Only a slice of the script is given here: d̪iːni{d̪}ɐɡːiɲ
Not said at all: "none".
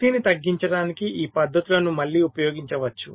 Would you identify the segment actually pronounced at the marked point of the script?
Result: t̪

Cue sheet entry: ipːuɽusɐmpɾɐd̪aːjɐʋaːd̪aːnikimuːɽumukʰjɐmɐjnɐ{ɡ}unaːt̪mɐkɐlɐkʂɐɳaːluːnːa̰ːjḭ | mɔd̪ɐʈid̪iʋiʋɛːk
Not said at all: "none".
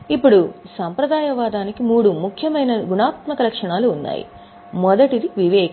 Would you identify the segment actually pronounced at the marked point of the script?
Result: ɡ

